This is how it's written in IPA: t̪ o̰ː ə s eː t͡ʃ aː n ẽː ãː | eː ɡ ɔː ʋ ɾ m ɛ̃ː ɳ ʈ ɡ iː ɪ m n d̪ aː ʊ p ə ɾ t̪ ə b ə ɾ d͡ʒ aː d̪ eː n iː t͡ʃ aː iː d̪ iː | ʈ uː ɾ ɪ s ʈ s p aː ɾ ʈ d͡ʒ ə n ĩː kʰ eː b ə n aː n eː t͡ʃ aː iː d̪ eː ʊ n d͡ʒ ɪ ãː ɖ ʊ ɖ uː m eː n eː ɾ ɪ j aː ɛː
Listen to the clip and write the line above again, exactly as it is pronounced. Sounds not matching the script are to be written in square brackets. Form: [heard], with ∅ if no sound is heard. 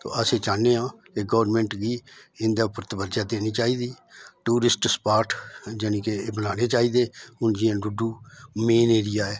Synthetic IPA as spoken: t̪ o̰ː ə s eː t͡ʃ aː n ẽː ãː | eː ɡ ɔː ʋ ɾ m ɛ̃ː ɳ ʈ ɡ iː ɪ [∅] n d̪ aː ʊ p ə ɾ t̪ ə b ə ɾ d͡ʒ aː d̪ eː n iː t͡ʃ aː iː d̪ iː | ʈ uː ɾ ɪ s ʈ s p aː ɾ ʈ d͡ʒ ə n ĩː [k] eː b ə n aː n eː t͡ʃ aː iː d̪ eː ʊ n d͡ʒ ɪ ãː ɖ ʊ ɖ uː m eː n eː ɾ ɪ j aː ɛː